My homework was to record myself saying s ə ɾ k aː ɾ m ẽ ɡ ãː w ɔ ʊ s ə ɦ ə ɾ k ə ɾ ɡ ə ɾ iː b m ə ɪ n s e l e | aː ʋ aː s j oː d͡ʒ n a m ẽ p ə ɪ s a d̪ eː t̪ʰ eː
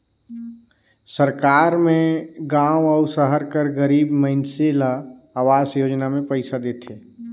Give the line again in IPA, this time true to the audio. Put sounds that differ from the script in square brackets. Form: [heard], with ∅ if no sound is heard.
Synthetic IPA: s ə ɾ k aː ɾ m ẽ ɡ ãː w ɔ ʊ s ə ɦ ə ɾ k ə ɾ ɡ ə ɾ iː b m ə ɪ n s e l [a] | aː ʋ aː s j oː d͡ʒ n a m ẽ p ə ɪ s a d̪ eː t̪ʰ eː